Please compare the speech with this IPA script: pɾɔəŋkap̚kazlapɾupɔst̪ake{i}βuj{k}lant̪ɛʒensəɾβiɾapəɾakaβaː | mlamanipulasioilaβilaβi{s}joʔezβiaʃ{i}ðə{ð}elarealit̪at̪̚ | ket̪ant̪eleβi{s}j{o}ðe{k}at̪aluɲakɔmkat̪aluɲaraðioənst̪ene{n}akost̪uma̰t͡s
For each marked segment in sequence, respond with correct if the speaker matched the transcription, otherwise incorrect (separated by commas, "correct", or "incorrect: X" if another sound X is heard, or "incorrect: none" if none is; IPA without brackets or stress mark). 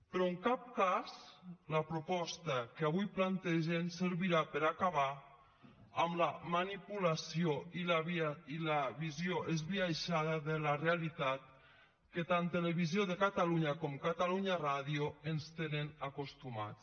incorrect: a, incorrect: p, incorrect: z, incorrect: a, correct, incorrect: z, correct, correct, correct